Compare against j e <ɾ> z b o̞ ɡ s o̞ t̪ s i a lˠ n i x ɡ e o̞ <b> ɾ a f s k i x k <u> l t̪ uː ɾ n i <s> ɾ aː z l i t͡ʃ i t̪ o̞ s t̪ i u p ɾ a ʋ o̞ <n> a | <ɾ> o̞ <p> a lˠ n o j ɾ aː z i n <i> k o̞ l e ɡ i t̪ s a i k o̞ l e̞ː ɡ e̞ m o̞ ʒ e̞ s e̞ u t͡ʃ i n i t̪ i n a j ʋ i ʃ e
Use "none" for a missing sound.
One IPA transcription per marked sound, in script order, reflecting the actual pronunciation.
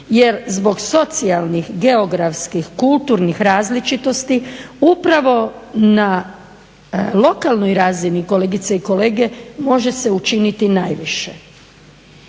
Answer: ɾ, ɡ, u, x, n, l, k, i

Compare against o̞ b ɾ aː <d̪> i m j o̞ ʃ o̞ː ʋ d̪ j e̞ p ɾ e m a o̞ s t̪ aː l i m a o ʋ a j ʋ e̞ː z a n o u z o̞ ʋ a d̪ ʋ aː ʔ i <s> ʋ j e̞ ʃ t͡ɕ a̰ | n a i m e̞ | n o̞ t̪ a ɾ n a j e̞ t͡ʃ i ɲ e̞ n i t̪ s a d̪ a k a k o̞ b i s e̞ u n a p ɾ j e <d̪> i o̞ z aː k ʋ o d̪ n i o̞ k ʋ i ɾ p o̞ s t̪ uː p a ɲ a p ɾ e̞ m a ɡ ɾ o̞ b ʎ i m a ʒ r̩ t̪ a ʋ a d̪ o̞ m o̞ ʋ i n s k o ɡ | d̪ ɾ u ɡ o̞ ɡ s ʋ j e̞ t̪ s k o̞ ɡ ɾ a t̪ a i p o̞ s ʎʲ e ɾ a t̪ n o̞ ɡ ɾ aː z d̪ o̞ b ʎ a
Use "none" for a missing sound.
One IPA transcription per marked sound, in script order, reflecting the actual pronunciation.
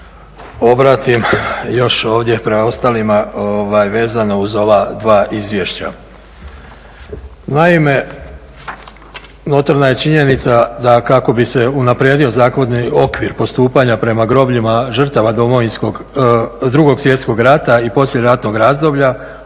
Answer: t̪, z, d̪

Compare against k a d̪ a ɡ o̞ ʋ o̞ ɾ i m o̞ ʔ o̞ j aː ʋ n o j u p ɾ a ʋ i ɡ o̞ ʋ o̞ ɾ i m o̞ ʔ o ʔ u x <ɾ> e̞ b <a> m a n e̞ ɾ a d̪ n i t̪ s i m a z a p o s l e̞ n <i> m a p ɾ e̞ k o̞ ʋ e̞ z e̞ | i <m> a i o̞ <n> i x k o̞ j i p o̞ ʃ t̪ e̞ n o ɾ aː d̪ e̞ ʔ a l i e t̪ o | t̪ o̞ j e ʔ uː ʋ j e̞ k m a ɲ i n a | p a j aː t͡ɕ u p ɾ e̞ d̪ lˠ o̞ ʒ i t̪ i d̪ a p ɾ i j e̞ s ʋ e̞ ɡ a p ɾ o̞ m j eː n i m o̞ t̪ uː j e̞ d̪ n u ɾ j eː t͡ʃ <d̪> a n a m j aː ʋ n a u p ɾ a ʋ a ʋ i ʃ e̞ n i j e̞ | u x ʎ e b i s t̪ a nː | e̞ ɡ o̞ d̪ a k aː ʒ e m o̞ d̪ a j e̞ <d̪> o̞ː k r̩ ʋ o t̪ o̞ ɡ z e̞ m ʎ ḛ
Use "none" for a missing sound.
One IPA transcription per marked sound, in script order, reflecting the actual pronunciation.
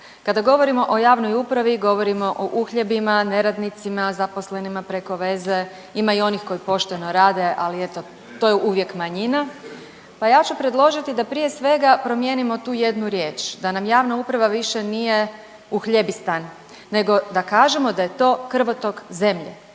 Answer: ʎ, i, i, m, n, d̪, t̪

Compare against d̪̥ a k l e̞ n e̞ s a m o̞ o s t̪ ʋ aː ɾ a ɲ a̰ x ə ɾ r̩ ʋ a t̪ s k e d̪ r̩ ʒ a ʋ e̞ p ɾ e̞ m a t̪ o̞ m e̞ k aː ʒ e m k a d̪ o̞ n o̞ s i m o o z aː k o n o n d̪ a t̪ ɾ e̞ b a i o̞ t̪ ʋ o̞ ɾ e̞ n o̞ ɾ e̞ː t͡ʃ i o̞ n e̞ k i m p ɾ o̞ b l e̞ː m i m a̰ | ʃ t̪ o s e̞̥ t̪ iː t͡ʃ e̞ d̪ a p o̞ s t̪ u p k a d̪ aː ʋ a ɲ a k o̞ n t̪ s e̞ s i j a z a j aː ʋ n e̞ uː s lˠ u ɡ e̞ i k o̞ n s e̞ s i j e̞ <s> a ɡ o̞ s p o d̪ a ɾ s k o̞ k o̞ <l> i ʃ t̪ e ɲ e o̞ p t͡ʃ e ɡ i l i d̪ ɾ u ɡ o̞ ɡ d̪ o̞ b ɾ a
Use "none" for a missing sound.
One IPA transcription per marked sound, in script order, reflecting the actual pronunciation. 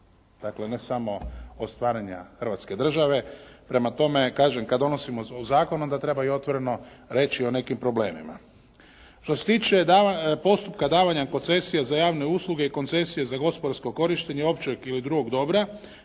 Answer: z, ɾ

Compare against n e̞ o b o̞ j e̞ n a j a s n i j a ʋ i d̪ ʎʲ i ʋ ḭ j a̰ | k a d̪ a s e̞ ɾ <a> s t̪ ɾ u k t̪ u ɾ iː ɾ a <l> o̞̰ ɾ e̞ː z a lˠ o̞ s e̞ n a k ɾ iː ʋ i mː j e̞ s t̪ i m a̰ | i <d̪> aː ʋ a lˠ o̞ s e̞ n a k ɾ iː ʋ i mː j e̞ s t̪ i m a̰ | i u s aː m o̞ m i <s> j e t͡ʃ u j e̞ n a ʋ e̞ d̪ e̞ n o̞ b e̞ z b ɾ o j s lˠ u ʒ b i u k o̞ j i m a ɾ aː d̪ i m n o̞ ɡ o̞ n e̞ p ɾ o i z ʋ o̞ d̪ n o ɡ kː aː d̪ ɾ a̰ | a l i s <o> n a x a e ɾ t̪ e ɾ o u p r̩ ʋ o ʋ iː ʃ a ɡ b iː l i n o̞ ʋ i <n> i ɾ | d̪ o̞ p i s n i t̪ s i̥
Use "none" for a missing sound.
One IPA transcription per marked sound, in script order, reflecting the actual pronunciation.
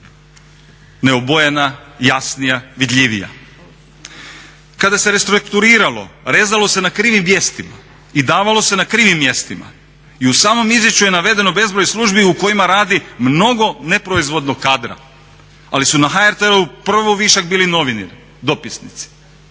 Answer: e, l, d̪, z, u, n

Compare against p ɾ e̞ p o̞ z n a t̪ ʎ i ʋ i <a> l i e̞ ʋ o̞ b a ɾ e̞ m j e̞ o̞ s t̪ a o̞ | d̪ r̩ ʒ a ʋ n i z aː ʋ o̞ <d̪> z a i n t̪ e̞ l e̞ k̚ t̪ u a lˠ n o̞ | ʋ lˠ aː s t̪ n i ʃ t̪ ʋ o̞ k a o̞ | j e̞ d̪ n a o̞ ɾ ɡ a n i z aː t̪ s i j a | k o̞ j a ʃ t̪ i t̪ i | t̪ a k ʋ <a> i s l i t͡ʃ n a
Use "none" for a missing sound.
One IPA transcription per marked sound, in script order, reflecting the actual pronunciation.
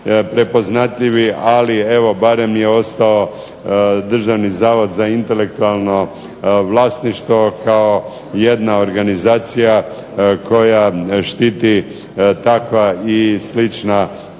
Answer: a, d̪, a

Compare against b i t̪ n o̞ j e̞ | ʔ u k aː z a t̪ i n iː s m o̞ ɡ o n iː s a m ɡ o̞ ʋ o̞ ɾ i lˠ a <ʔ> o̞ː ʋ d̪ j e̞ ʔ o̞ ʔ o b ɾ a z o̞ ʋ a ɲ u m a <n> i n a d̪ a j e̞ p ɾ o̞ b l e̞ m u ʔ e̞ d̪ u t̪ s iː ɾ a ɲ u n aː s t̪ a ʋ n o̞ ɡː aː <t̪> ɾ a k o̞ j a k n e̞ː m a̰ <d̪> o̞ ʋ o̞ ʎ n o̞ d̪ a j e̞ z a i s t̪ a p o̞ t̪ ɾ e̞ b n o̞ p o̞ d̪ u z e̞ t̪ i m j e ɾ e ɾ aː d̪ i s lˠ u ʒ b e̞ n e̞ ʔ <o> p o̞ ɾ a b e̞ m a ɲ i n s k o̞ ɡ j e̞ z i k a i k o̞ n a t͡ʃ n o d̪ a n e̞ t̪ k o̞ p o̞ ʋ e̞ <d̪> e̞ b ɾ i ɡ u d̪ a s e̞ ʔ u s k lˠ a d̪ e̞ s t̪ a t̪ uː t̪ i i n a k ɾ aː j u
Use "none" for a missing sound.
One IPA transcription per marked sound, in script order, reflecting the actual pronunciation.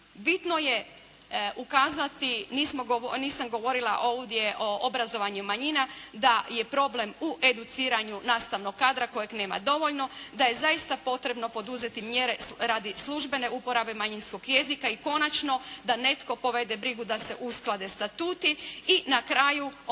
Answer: ʔ, ɲ, d̪, d̪, u, d̪

